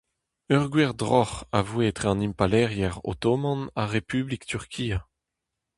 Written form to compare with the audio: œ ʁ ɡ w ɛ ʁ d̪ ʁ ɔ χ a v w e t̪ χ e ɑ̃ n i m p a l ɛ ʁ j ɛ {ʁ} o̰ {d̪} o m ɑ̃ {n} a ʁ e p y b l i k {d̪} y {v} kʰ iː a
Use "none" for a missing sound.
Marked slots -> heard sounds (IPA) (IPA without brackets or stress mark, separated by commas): ʁ, t̪, n, t̪, ʁ